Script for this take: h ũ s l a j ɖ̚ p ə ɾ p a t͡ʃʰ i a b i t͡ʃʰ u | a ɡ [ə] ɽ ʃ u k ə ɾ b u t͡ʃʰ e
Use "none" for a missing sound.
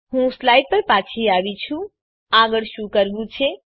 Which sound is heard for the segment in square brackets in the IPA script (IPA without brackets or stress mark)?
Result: ə